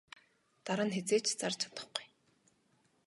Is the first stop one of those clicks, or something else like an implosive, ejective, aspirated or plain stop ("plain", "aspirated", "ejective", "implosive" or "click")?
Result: plain